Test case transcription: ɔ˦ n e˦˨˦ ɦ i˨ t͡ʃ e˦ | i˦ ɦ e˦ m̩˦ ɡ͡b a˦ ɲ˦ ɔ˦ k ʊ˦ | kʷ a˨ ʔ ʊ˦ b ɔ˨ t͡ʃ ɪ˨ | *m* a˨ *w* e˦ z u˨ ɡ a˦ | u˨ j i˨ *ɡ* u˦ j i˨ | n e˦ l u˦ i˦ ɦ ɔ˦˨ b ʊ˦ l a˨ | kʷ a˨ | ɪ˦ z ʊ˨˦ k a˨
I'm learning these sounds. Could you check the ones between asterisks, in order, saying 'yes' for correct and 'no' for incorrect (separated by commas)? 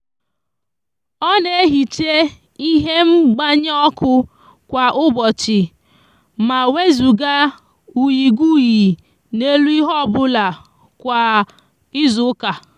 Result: yes, yes, yes